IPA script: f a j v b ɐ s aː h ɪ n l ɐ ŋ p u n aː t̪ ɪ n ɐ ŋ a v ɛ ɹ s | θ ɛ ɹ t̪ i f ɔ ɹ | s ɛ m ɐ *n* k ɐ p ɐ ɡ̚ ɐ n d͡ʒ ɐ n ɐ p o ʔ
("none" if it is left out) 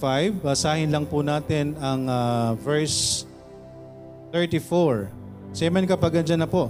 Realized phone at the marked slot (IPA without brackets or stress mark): n